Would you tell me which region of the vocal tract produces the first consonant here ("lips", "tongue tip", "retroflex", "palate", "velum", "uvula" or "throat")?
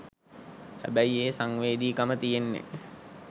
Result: throat